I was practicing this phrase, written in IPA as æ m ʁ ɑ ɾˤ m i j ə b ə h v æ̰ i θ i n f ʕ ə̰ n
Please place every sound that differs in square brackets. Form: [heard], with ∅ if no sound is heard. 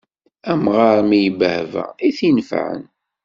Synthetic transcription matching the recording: æ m ʁ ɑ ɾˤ m i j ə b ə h v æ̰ i θ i n f ʕ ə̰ n